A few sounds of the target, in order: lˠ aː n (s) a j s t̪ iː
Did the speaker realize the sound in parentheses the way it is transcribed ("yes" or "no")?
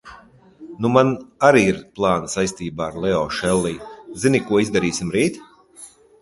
yes